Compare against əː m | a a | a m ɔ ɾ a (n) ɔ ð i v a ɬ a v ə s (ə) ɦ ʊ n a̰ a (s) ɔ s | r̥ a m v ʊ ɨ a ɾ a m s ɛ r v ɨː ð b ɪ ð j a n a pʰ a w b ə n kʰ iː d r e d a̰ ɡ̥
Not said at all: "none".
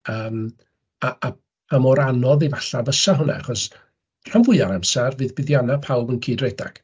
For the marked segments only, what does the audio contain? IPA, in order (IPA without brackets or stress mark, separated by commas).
n, a, χ